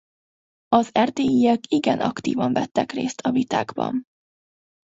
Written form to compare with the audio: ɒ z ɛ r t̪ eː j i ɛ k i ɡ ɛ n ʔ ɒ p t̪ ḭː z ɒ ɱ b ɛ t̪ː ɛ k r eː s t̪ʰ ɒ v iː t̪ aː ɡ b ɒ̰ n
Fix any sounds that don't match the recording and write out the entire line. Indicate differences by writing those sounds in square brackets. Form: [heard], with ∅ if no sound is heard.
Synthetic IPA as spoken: ɒ z ɛ r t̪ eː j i ɛ k i ɡ ɛ n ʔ ɒ [k] t̪ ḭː [v] ɒ ɱ [v] ɛ t̪ː ɛ k r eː s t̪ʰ ɒ v [i] t̪ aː ɡ b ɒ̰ n